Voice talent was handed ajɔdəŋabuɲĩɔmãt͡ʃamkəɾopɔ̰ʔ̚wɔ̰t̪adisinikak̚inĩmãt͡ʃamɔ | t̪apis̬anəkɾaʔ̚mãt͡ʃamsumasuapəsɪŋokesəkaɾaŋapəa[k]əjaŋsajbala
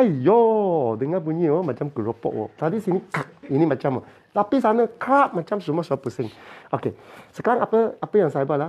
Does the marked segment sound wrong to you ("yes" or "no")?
yes